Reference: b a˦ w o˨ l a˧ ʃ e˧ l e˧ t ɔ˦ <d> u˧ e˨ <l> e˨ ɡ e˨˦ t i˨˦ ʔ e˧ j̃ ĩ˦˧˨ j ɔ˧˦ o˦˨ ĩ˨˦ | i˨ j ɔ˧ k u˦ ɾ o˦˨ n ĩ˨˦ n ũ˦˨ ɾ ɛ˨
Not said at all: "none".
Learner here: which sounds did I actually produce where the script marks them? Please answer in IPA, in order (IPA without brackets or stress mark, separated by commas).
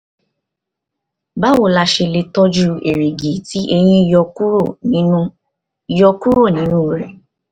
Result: d͡ʒ, ɾ